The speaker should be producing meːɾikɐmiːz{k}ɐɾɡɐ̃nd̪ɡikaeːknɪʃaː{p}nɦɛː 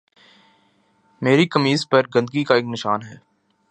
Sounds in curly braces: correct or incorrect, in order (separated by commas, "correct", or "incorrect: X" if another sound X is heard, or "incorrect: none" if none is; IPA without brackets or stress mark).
incorrect: p, incorrect: none